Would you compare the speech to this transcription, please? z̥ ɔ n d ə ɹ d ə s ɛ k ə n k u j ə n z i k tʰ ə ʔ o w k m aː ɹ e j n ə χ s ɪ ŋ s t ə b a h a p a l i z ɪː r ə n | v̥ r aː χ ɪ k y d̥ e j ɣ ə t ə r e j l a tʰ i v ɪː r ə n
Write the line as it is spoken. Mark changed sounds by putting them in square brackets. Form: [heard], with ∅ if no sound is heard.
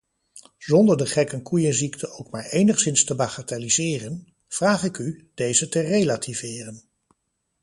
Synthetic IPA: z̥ ɔ n d ə ɹ d ə [χ] ɛ k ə n k u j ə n z i k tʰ ə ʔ o w k m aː ɹ e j n ə χ s ɪ [n] s t ə b a [χ] a [t] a l i z ɪː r ə n | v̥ r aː χ ɪ k y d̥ e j [z] ə t ə r e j l a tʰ i v ɪː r ə n

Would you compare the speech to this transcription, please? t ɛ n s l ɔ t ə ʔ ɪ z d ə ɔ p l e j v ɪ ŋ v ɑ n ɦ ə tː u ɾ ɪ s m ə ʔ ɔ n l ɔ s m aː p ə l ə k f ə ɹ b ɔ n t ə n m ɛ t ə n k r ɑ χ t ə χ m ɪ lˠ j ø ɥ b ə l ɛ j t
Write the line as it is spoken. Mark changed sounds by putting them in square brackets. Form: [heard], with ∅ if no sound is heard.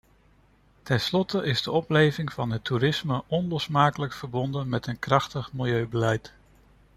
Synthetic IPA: t ɛ n s l ɔ t ə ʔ ɪ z d ə ɔ p l e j v ɪ ŋ v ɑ n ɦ ə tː u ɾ ɪ s m ə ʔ ɔ n l ɔ s m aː [k] ə l ə k f ə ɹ b ɔ n [d] ə n m ɛ t ə n k r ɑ χ t ə χ m ɪ lˠ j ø ɥ b ə l ɛ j t

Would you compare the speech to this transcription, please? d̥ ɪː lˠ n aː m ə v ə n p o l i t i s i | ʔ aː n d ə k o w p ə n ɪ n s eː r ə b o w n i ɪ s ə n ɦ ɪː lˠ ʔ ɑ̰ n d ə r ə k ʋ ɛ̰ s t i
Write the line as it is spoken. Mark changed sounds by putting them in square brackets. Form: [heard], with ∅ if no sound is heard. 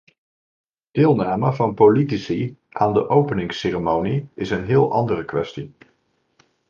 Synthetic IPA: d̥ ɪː lˠ n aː m ə v [ɑ] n p o l i t i s i | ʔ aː n d ə [ʔ] o w p ə n ɪ [ŋ] s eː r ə [m] o w n i ɪ s ə n ɦ ɪː lˠ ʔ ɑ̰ n d ə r ə k ʋ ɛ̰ s t i

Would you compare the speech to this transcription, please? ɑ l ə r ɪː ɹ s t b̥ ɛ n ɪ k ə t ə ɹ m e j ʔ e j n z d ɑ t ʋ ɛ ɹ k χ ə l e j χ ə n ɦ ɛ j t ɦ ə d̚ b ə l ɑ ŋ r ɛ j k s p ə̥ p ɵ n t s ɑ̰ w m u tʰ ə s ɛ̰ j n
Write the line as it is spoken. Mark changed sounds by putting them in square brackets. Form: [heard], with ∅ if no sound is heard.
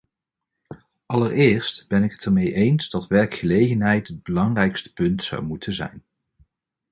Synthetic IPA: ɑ l ə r ɪː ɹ s t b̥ ɛ n ɪ k ə t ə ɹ m e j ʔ e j n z d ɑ t ʋ ɛ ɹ k χ ə l e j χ ə n ɦ ɛ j t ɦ ə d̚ b ə l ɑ ŋ r ɛ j k s [t] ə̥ p ɵ n t s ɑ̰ w m u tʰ ə [z] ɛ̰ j n

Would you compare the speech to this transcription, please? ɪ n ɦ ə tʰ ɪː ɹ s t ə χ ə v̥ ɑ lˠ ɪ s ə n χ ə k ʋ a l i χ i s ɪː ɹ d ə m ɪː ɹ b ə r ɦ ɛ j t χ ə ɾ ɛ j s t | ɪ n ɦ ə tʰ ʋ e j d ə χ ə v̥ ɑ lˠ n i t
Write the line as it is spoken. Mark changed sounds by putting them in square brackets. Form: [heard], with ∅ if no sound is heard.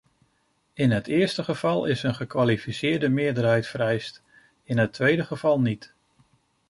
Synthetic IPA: ɪ n ɦ ə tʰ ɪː ɹ s t ə χ ə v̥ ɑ lˠ ɪ s ə n χ ə k ʋ a l i [f] i s ɪː ɹ d ə m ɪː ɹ [d] ə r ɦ ɛ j t [f] ə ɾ ɛ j s t | ɪ n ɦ ə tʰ ʋ e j d ə χ ə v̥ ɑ lˠ n i t

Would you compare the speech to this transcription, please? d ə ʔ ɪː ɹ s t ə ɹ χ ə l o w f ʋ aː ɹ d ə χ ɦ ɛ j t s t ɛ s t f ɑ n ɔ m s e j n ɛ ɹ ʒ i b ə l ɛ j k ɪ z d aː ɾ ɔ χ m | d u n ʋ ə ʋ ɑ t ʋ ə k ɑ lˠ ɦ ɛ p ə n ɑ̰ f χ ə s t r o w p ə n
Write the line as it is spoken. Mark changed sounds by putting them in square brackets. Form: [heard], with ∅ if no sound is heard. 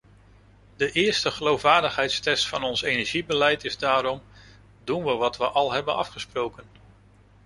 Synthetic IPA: d ə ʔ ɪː ɹ s t ə [∅] χ ə l o w f ʋ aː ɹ d ə χ ɦ ɛ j t s t ɛ s t f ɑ n ɔ [n] s e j n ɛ ɹ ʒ i b ə l ɛ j [t] ɪ z d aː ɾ ɔ [∅] m | d u n ʋ ə ʋ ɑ t ʋ ə [ʔ] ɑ lˠ ɦ ɛ [b] ə n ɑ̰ f χ ə s [p] r o w [k] ə n

